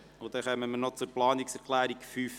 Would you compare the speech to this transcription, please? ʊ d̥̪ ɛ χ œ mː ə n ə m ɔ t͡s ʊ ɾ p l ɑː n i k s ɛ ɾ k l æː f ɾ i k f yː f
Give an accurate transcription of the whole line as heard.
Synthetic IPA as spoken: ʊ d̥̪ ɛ χ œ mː ə m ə n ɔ t͡s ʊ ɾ p l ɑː n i k s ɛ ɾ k l æː ɾ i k f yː f